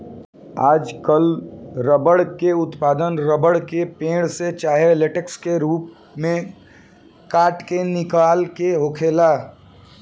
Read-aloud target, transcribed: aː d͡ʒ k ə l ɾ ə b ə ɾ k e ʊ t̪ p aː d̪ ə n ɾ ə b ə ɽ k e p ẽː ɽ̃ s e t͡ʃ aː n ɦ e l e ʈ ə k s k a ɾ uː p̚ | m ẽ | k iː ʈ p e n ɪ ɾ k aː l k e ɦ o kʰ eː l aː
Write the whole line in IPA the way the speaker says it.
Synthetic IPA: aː d͡ʒ k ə l ɾ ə b ə ɽ k e ʊ t̪ p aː d̪ ə n ɾ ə b ə ɽ k e p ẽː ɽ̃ s e t͡ʃ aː ɦ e l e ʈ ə k s k e ɾ uː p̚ | m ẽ | k aː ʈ k e n ɪ k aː l k e ɦ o kʰ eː l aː